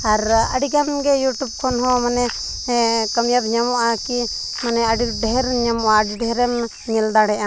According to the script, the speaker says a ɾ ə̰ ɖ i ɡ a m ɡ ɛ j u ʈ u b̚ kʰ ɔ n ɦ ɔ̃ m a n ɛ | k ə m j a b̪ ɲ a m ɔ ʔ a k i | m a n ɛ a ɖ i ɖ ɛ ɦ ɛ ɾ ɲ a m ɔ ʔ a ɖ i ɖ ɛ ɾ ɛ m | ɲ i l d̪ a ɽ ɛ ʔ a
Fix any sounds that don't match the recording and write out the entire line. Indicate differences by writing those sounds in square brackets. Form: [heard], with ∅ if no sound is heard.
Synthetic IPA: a ɾ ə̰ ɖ i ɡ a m ɡ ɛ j u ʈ u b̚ kʰ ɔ n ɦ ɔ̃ m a n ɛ | k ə m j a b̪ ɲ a m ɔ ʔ a k i | m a n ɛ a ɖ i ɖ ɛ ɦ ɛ ɾ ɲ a m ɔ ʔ a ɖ i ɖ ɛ ɾ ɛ m | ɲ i l d̪ a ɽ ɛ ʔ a